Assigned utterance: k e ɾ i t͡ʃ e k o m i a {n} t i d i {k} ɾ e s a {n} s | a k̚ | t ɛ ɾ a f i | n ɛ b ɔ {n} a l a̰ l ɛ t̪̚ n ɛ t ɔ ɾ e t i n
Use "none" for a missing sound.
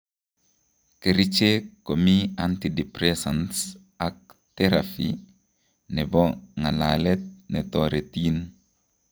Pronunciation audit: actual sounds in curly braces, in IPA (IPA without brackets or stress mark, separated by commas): n, p, n, ŋ